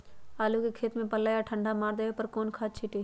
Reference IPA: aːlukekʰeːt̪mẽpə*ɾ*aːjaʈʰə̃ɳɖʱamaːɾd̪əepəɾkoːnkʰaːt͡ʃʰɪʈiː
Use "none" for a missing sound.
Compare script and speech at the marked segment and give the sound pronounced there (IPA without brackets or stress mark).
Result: l